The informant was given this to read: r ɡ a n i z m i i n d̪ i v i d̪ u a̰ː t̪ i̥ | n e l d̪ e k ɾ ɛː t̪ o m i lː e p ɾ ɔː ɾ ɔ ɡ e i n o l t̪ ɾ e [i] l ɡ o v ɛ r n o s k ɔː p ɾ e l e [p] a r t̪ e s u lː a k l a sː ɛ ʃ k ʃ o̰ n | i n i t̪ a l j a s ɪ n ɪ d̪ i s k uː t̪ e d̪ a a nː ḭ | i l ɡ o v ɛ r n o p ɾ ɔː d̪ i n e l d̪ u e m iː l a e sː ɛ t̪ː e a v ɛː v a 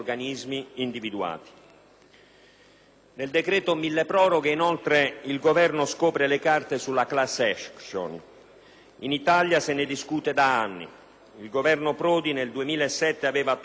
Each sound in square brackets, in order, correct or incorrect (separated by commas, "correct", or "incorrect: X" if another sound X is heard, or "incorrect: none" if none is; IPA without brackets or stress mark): correct, incorrect: k